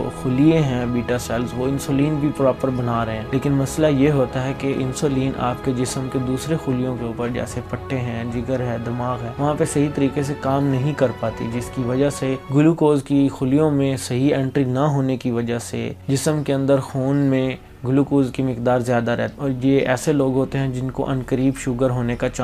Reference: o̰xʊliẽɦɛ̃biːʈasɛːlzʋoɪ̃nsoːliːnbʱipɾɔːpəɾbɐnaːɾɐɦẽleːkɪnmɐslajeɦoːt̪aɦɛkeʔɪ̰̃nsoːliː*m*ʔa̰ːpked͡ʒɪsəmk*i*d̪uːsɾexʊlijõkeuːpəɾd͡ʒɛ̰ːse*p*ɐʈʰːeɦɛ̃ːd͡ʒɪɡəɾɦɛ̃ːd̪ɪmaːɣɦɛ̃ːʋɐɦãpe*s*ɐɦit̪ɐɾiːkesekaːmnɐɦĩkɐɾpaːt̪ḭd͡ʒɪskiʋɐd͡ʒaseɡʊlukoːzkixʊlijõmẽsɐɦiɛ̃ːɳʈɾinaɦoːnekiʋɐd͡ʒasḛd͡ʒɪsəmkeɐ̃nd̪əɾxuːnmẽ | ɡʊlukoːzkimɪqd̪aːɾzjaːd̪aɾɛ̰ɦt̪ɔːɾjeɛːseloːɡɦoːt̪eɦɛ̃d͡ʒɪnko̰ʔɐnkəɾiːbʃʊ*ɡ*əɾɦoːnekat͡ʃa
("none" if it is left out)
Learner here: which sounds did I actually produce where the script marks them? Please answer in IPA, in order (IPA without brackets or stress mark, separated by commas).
n, e, p, s, ɡ